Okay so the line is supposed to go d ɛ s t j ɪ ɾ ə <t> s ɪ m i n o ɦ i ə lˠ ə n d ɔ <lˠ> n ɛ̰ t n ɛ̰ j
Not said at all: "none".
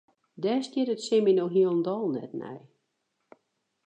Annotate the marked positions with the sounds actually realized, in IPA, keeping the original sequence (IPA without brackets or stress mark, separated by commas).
t, lˠ